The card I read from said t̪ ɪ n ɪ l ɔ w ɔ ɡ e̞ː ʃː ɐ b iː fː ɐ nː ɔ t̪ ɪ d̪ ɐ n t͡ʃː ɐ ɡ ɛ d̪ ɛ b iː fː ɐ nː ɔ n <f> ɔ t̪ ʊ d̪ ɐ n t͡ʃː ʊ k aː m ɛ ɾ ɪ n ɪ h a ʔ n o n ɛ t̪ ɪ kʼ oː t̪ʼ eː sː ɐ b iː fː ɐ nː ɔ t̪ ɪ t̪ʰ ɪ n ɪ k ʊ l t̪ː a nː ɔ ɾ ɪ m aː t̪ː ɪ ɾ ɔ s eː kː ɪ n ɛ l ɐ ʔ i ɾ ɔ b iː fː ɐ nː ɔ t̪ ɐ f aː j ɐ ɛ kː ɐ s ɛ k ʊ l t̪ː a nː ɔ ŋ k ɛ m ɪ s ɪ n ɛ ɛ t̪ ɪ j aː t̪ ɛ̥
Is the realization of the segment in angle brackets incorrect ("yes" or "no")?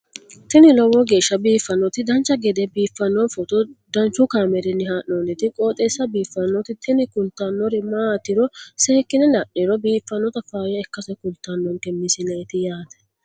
no